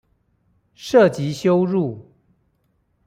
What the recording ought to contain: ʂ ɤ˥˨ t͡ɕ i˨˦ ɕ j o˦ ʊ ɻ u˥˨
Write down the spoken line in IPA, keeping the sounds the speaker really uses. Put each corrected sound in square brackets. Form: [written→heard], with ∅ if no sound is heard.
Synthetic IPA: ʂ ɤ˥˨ t͡ɕ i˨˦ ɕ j o˦ ʊ ɻ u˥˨